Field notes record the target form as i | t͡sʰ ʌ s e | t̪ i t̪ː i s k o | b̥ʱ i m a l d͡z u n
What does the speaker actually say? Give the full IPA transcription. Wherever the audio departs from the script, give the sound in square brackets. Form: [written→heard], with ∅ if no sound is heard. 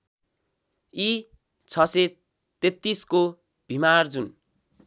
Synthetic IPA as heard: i | t͡sʰ ʌ s e | t̪ [i→e] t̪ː i s k o | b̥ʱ i m a [l→r] d͡z u n